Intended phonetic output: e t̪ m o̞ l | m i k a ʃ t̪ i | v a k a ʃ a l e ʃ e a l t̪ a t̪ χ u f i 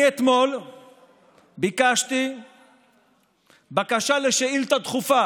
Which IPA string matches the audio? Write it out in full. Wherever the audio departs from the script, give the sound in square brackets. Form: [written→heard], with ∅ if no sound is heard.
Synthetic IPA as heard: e t̪ m o̞ l | [m→b] i k a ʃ t̪ i | [v→b] a k a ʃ a l e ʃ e [a→i] l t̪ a t̪ χ u f [i→a]